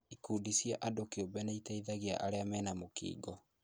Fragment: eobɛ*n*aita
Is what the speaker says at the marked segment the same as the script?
yes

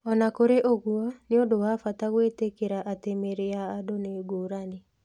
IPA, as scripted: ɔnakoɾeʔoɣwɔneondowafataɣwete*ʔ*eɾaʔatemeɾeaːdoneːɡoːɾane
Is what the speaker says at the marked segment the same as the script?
no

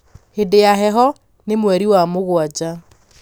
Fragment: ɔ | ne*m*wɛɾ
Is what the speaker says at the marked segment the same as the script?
yes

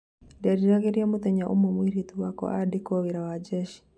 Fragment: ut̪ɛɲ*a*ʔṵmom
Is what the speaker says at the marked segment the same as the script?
yes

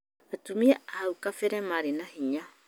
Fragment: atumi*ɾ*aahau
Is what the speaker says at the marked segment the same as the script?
no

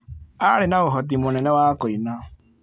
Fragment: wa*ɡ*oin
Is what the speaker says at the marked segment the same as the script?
no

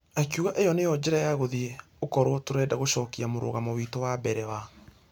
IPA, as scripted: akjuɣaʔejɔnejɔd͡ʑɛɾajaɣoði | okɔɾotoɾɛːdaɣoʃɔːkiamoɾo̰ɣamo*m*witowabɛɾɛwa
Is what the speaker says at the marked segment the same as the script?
no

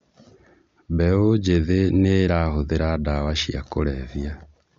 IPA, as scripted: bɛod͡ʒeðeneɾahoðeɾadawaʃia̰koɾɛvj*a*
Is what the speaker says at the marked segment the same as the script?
yes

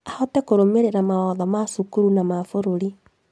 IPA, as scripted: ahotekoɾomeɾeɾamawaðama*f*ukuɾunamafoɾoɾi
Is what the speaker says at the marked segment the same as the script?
no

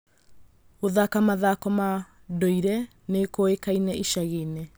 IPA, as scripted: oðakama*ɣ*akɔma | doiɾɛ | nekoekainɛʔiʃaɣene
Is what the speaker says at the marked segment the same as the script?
no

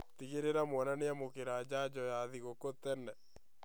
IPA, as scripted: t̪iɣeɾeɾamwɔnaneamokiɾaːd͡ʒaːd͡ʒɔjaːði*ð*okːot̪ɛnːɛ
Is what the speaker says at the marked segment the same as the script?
no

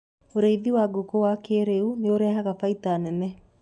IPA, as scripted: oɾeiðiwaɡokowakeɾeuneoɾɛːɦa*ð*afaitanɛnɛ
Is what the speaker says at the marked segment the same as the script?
no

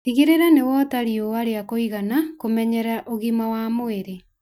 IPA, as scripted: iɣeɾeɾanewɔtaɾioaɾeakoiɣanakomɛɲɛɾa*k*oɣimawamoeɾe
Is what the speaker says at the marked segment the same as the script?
no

